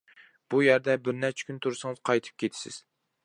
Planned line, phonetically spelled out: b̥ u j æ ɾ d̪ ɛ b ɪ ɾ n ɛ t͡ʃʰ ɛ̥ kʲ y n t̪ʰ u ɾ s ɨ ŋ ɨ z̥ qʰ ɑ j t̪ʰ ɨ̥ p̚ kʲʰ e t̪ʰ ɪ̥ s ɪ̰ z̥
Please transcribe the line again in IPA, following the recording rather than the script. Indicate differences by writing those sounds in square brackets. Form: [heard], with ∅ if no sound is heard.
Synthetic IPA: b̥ u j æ ɾ d̪ ɛ b ɪ ɾ n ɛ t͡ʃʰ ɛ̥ kʲ y n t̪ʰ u ɾ s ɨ ŋ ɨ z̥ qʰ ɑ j t̪ʰ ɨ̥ p̚ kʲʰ e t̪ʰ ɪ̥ s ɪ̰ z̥

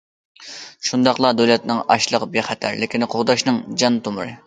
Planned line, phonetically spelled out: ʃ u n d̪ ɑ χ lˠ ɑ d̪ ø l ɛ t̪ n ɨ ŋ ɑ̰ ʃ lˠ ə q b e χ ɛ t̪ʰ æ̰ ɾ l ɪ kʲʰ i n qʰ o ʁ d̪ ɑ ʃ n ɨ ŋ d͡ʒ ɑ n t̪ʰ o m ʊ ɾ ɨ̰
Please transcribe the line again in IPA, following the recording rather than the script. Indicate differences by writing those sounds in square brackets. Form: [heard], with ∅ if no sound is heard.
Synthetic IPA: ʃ u n d̪ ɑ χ lˠ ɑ d̪ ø l ɛ t̪ n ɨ ŋ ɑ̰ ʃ lˠ ə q b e χ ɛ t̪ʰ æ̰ ɾ l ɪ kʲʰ i n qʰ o ʁ d̪ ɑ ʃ n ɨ ŋ d͡ʒ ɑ n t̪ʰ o m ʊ ɾ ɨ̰

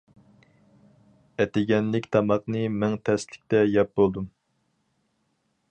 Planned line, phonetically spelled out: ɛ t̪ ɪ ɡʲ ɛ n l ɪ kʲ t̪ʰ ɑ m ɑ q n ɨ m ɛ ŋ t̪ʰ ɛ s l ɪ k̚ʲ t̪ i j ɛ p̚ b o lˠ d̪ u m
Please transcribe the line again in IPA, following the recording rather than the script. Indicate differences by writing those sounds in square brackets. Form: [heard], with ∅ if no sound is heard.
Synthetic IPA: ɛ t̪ ɪ ɡʲ ɛ n l ɪ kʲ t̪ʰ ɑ m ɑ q n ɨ m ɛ ŋ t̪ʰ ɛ s l ɪ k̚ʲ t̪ [ɛ] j ɛ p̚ b o lˠ d̪ u m

